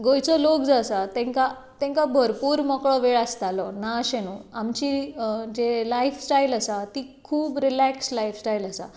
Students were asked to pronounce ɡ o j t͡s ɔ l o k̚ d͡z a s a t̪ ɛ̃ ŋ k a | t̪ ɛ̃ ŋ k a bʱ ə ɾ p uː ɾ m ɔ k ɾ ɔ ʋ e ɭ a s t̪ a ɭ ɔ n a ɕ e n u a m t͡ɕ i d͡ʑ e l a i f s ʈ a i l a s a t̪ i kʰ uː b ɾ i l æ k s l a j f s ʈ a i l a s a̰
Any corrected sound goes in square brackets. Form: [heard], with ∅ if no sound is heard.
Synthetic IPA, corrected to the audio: ɡ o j t͡s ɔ l o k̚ d͡z a s a t̪ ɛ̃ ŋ k a | t̪ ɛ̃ ŋ k a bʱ ə ɾ p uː ɾ m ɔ k [ɭ] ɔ ʋ e ɭ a s t̪ a [l] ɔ n a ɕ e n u a m t͡ɕ i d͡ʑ e l a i f s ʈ a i l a s a t̪ i kʰ uː b ɾ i l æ k s l a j f s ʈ a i l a s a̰